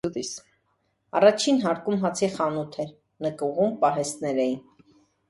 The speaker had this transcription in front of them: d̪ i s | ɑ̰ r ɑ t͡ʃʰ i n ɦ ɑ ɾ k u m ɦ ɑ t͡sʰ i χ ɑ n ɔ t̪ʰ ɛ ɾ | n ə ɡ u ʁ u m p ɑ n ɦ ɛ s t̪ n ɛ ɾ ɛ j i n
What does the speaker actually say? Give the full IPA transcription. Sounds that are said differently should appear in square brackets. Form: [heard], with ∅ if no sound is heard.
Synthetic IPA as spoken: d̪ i s | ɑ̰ r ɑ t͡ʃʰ i n ɦ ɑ ɾ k u m ɦ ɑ t͡sʰ i χ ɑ n [u] t̪ʰ ɛ ɾ | n ə [k] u ʁ u m p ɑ [∅] ɦ ɛ s t̪ n ɛ ɾ ɛ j i n